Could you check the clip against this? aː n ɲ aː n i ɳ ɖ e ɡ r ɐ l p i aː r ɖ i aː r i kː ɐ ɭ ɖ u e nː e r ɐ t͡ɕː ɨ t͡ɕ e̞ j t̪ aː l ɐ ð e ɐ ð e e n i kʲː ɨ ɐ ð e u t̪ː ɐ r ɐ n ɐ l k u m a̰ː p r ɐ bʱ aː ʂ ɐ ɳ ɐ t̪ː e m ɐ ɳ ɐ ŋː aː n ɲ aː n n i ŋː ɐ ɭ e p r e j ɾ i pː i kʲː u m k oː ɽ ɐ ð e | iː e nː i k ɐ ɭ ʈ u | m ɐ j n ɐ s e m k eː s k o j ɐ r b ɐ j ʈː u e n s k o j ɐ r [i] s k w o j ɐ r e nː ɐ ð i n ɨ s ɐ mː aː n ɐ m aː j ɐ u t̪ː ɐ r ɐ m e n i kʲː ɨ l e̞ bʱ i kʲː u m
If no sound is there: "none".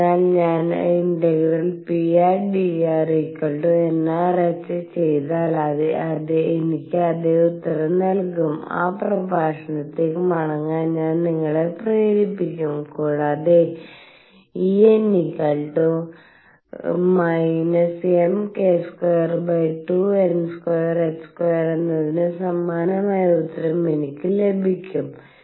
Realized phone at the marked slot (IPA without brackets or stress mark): e